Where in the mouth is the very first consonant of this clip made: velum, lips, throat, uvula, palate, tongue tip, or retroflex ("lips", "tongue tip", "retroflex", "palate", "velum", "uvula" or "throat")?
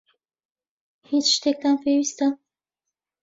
throat